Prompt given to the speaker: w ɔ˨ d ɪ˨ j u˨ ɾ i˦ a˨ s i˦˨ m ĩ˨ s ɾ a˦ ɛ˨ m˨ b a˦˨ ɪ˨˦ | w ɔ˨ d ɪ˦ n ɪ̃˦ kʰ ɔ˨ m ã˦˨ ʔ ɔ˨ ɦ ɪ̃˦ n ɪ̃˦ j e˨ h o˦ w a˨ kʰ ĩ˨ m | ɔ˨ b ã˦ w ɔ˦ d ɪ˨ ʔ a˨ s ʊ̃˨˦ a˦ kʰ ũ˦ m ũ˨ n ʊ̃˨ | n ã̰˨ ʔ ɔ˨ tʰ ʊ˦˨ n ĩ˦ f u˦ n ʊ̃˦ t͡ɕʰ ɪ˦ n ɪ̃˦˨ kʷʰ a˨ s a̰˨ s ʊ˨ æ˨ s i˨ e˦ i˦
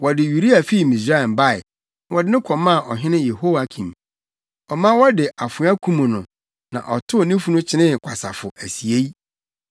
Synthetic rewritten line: w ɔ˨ d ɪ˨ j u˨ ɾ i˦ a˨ f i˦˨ m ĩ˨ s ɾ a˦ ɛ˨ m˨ b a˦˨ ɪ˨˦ | w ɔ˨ d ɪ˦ n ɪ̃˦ kʰ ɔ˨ m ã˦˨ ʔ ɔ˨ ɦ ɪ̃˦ n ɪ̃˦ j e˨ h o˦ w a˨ kʰ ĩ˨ m | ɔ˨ m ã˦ w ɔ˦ d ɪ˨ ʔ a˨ f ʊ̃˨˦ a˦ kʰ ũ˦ m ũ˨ n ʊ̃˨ | n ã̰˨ ʔ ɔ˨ tʰ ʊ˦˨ n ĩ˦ f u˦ n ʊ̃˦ t͡ɕʰ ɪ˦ n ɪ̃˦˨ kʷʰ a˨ s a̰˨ f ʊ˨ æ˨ s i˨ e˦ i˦